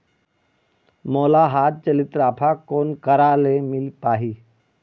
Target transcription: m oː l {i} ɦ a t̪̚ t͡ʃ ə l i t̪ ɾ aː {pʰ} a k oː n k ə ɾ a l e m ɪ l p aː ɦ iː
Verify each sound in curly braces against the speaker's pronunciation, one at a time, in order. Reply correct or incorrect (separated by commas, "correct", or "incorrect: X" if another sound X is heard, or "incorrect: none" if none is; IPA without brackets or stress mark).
incorrect: a, correct